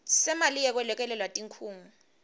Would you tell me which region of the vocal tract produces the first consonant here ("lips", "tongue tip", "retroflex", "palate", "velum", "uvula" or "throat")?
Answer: tongue tip